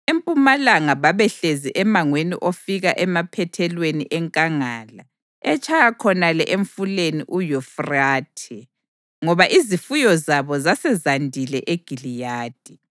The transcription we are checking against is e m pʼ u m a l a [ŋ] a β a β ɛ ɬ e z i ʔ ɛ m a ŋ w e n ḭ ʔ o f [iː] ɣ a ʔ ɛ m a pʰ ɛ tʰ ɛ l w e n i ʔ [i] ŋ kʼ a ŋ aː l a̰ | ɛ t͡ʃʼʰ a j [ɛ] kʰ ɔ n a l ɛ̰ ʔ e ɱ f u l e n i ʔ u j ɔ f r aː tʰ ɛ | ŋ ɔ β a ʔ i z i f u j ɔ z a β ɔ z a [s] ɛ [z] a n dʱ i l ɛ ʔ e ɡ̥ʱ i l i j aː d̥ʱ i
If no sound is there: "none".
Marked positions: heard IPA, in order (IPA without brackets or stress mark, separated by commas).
ŋ, i, ɛ, a, s, z